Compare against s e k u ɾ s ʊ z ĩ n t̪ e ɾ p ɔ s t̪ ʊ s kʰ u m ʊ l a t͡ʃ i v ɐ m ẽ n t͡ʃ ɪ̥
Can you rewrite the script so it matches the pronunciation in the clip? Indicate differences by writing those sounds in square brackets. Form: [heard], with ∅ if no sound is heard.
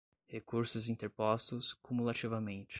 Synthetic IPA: [h] e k u ɾ s ʊ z ĩ n t̪ e ɾ p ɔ s t̪ ʊ s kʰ u m [u] l a t͡ʃ i v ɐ m ẽ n t͡ʃ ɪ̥